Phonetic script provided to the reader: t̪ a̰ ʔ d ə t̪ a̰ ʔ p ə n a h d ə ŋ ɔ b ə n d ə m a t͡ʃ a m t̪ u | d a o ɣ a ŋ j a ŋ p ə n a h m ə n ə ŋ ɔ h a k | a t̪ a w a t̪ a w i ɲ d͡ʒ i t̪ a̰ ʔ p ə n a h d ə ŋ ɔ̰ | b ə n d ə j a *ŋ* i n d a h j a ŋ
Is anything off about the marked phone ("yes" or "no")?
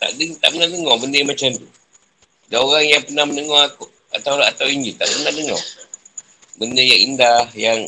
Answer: no